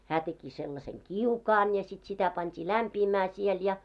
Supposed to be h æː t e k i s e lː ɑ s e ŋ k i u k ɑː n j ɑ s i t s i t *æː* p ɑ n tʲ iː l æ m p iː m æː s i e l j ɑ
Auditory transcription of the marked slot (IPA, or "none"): æ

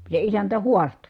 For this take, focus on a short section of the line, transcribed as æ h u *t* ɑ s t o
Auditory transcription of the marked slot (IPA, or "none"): none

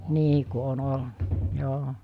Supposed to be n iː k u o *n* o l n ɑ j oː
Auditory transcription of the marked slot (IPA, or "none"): n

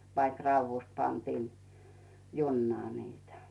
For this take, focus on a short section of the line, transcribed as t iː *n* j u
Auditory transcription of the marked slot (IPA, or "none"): n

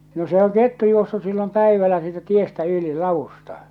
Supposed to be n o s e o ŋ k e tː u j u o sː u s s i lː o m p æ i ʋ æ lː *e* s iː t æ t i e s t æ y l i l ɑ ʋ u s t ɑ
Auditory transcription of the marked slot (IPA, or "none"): æ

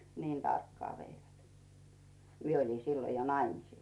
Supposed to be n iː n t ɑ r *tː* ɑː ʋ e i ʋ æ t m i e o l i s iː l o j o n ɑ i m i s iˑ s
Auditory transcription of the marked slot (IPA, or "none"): kː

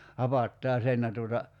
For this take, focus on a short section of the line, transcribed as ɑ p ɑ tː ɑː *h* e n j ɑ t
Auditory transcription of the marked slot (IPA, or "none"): s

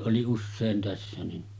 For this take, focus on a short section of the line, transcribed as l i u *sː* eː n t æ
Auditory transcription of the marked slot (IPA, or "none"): sː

